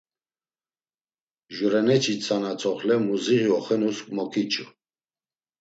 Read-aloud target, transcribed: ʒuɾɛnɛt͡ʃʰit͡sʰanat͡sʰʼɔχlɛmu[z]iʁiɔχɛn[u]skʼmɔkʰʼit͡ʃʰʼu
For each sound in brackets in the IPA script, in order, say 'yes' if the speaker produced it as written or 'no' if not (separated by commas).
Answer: yes, yes